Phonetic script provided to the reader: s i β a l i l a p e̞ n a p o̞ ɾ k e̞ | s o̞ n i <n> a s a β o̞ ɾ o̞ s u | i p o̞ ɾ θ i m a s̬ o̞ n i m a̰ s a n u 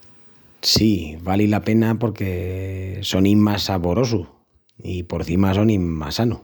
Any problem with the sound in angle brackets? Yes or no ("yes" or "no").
yes